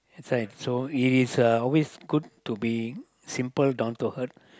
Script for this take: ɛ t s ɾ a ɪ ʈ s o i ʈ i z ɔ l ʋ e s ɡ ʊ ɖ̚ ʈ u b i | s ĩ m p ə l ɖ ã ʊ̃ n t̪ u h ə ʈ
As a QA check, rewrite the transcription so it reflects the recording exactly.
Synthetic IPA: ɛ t s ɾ a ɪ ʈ s o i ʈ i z ɔ l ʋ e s ɡ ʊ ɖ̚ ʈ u b i | s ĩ m p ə l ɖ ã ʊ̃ n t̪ u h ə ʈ